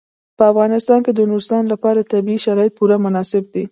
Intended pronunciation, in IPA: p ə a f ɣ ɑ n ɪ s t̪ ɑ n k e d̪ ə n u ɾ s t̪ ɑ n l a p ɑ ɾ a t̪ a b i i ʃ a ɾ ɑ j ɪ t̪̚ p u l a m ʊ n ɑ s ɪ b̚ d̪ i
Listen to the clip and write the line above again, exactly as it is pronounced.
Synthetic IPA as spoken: p ə a f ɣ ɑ n ɪ s t̪ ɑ n k e d̪ ə n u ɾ s t̪ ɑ n l a p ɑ ɾ a t̪ a b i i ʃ a ɾ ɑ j ɪ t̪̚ p u ɾ a m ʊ n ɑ s ɪ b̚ d̪ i

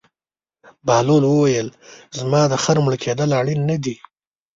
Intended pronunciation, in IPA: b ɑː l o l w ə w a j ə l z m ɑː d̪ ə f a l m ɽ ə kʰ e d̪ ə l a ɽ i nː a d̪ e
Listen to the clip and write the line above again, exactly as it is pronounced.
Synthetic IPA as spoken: b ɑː l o l w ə w a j ə l z m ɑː d̪ ə x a ɾ m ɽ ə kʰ e d̪ ə l a ɽ i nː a d̪ i

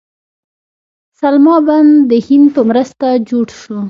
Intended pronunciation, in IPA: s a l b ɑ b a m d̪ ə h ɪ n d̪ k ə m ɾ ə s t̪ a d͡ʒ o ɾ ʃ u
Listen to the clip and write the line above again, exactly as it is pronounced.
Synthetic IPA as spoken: s a l m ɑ b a n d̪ ə h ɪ n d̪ p ə m ɾ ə s t̪ a d͡ʒ o ɽ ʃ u

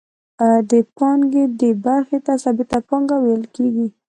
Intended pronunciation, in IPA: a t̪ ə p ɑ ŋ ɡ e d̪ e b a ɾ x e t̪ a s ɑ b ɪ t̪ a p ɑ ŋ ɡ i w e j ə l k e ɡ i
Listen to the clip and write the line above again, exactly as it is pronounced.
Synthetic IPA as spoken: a d̪ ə p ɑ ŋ ɡ e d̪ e b a ɾ x e t̪ a s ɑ b ɪ t̪ a p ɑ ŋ ɡ a w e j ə l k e ɡ i

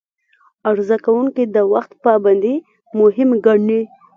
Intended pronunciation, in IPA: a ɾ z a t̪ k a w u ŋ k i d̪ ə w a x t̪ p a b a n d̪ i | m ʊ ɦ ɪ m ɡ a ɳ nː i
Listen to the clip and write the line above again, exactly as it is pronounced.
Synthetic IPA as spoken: a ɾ z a k a w u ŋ k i d̪ ə w a x t̪ p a b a n d̪ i | m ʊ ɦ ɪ m ɡ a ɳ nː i

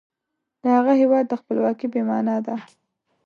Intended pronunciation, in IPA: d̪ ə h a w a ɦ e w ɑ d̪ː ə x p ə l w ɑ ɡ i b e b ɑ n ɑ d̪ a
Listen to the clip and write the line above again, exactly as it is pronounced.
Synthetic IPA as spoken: d̪ ə h a ɣ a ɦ e w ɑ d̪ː ə x p ə l w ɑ k i b e m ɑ n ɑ d̪ a

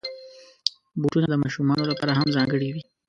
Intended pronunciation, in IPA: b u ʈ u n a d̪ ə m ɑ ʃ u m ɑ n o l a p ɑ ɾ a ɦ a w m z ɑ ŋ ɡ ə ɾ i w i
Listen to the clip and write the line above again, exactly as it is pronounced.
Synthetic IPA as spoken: b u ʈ u n a d̪ ə m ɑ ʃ u m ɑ n o l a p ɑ ɾ a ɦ a m z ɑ ŋ ɡ ə ɽ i w i

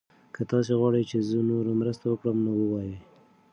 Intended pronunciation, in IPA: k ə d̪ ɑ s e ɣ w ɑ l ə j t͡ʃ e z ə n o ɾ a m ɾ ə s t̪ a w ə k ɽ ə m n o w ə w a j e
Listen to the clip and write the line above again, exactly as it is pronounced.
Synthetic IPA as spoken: k ə t̪ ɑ s e ɣ w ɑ ɽ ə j t͡ʃ e z ə n o ɾ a m ɾ ə s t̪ a w ə k ɽ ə m n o w ə w ɑ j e

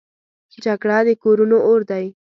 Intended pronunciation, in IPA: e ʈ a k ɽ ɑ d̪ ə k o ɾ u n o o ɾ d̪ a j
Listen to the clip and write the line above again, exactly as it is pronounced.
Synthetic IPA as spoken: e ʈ a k ɽ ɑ d̪ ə k o ɾ u n o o ɾ d̪ a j

